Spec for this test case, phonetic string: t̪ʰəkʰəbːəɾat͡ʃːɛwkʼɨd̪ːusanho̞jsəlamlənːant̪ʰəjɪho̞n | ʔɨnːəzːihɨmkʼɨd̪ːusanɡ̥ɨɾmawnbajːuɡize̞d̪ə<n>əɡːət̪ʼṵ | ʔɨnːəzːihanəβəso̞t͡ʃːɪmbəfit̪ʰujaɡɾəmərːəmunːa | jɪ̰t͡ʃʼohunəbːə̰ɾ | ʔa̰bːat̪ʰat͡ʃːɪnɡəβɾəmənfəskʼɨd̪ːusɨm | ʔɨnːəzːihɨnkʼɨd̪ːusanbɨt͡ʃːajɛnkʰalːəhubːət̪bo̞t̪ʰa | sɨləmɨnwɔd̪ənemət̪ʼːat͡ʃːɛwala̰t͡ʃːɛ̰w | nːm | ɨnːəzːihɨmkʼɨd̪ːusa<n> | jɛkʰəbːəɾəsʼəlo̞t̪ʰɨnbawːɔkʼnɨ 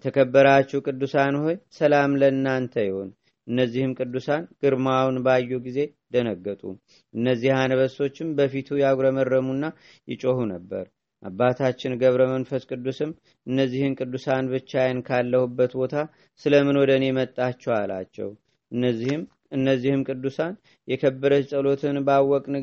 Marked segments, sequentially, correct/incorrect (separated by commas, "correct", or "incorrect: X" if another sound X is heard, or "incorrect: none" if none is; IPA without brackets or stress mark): correct, correct